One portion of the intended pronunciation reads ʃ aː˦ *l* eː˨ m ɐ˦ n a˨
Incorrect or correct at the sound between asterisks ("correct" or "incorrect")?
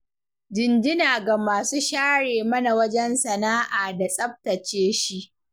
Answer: incorrect